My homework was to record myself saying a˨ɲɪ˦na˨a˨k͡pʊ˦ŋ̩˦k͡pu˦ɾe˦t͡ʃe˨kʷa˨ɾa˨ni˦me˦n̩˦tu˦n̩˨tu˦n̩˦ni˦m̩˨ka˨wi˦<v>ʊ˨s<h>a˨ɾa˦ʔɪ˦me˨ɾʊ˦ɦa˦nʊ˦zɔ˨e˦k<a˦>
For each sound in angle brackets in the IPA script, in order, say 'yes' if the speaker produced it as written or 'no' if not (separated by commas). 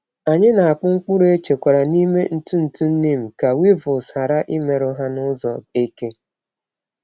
yes, yes, no